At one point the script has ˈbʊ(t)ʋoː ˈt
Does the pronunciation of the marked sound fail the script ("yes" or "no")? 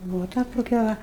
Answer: yes